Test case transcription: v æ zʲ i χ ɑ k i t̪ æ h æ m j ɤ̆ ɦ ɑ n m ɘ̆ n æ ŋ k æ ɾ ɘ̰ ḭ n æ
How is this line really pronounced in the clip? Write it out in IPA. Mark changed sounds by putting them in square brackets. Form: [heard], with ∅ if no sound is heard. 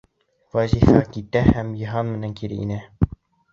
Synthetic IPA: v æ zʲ i [f] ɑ k i t̪ æ h æ m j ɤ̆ ɦ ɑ n m ɘ̆ n æ ŋ k [i] ɾ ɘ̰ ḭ n æ